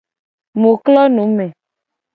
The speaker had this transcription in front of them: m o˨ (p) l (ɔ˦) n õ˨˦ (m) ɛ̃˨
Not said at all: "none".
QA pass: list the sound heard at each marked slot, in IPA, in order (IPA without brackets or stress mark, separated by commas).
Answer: k, ɔ˦, m